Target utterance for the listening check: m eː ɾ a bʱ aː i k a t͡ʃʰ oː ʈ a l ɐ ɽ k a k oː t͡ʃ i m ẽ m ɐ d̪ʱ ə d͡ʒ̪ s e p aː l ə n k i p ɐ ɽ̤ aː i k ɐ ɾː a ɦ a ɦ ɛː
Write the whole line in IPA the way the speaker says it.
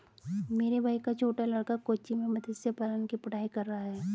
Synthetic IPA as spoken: m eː ɾ e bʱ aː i k a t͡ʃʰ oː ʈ a l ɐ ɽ k a k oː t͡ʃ i m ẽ m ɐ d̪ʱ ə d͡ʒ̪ s e p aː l ə n k i p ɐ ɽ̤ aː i k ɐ ɾː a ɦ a ɦ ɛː